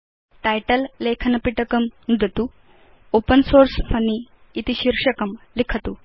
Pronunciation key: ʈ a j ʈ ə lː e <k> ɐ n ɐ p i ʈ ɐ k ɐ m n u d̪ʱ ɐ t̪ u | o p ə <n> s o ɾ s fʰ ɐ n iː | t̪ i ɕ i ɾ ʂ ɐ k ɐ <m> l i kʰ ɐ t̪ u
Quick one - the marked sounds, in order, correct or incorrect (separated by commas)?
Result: incorrect, correct, correct